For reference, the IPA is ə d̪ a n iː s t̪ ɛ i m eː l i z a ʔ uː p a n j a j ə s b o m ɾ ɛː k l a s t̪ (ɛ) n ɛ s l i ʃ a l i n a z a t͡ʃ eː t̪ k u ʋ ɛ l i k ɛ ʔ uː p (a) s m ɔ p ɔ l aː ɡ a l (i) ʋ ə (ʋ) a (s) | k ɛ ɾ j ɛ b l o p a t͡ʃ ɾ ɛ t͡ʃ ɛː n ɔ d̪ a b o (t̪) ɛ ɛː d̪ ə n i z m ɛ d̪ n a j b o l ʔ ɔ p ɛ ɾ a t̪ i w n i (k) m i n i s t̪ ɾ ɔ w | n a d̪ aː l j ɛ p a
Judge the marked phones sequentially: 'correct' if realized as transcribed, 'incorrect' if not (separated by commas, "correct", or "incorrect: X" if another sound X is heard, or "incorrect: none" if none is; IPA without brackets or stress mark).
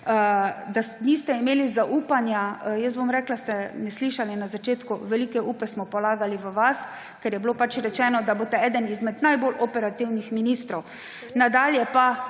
correct, incorrect: ɛ, correct, correct, correct, correct, incorrect: x